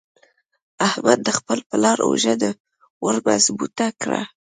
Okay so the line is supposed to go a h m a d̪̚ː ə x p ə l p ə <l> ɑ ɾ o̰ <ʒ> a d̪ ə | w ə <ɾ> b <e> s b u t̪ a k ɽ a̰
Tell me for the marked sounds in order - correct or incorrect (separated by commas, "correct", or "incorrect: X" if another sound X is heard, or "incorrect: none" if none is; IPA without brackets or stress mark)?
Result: correct, correct, correct, incorrect: a